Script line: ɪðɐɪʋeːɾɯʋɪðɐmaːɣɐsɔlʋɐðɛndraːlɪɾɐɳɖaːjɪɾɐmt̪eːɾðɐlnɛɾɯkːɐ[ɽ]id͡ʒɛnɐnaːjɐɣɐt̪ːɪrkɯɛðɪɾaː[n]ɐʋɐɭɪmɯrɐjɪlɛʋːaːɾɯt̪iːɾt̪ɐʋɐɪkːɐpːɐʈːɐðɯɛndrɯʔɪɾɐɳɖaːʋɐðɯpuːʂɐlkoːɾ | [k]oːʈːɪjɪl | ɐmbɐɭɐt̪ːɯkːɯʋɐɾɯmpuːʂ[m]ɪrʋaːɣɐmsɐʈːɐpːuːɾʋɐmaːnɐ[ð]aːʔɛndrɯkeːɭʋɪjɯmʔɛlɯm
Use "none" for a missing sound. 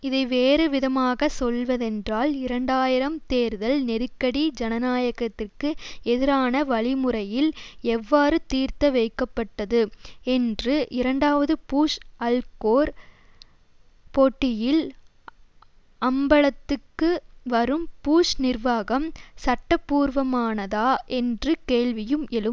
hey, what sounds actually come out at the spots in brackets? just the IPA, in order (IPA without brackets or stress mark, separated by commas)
ɽ, n, p, n, ð